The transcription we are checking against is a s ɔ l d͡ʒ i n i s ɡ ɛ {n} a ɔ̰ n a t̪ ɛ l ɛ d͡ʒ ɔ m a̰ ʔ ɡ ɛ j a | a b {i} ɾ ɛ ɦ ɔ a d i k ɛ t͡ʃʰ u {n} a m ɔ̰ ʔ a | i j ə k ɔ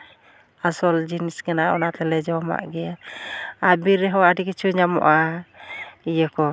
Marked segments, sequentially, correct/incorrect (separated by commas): correct, correct, incorrect